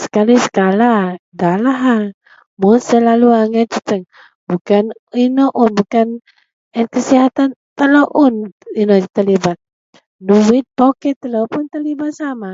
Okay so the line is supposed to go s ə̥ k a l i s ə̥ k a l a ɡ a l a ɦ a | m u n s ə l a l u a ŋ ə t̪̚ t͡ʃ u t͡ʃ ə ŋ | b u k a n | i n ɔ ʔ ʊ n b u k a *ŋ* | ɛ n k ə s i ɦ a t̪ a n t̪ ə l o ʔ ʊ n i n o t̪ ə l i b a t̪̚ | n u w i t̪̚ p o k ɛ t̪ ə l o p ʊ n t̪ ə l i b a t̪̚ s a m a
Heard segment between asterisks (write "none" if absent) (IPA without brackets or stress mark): n